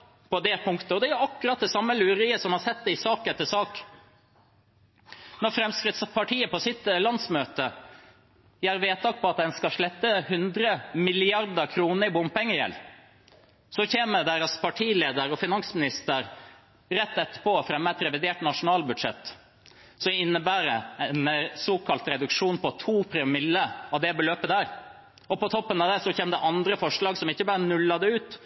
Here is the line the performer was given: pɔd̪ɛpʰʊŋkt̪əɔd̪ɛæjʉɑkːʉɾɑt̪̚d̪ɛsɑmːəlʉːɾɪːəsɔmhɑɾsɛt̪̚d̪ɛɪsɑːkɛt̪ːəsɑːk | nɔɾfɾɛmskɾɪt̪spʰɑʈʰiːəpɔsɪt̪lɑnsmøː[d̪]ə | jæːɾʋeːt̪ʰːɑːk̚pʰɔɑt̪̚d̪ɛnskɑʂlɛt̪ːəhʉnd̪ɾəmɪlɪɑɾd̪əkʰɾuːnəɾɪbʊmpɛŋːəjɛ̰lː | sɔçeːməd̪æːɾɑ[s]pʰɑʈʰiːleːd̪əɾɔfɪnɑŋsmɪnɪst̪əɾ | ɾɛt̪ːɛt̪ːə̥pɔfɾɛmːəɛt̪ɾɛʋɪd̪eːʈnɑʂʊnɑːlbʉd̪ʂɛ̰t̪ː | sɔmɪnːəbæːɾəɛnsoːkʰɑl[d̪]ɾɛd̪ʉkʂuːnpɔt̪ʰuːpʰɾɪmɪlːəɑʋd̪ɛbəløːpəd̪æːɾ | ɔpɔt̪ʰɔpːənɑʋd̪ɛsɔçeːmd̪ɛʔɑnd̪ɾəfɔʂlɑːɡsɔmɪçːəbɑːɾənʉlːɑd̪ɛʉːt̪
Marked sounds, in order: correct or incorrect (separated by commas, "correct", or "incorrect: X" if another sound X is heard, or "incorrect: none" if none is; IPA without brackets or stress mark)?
incorrect: t̪, correct, incorrect: t̪